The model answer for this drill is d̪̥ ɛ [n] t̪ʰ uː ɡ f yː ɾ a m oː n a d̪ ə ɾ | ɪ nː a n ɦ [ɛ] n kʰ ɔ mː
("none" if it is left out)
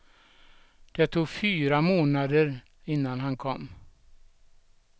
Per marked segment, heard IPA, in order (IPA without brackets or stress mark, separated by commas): none, a